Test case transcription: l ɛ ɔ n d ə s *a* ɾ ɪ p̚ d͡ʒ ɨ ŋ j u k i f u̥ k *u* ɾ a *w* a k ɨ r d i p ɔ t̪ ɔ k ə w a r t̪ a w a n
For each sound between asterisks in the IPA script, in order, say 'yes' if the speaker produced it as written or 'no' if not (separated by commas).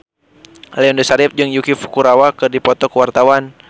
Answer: yes, yes, yes